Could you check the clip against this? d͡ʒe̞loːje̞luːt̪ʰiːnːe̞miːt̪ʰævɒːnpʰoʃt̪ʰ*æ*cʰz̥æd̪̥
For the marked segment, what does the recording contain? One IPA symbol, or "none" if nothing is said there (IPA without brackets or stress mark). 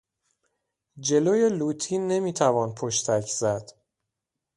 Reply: æ